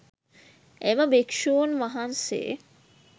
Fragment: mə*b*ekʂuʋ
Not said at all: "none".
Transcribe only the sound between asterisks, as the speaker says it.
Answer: b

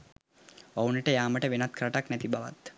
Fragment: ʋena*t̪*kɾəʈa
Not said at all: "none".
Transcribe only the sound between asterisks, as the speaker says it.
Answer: t̪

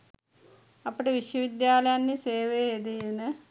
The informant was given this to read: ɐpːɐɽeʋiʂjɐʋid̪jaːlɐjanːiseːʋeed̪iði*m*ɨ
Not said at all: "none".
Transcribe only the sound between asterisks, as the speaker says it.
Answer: n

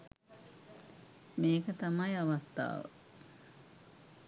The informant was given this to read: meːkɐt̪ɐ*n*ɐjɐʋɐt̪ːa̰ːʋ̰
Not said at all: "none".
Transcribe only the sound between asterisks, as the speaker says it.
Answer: m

